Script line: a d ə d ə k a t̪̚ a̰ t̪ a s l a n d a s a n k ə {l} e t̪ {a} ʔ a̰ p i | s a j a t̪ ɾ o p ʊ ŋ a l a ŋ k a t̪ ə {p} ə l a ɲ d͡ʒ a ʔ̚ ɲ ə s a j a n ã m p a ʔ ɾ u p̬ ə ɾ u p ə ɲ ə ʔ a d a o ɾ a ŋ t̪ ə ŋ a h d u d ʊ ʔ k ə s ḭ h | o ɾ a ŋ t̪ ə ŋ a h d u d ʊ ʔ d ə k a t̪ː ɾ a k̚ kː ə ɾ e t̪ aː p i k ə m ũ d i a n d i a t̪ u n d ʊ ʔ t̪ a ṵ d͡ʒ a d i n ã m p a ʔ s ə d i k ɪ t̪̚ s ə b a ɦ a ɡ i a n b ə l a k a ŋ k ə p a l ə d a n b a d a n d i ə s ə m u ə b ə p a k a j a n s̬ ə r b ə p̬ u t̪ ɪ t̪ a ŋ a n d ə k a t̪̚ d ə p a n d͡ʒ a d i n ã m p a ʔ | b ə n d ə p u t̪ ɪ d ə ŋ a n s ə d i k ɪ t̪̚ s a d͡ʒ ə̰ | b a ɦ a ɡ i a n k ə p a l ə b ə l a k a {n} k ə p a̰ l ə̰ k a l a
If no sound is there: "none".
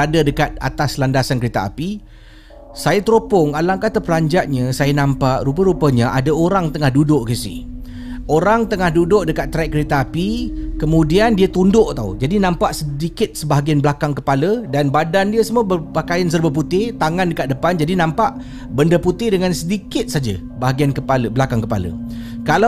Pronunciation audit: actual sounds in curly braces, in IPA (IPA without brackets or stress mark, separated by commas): ɾ, a, p, ŋ